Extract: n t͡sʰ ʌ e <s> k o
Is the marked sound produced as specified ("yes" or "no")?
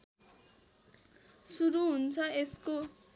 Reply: yes